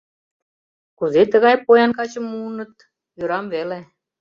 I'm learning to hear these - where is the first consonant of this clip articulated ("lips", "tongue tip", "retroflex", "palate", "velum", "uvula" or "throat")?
velum